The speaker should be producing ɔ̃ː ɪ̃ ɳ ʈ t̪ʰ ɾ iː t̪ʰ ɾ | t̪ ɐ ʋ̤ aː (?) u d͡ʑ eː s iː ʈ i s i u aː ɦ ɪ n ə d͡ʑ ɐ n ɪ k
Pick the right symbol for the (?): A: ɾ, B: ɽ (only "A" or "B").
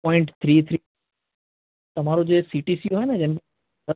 A